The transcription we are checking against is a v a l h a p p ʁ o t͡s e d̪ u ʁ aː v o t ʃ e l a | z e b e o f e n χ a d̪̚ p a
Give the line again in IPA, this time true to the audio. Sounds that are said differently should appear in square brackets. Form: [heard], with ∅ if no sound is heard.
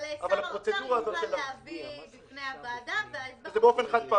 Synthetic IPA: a v a l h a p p ʁ o t͡s e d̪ u ʁ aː [z] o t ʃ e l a | z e b e o f e n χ a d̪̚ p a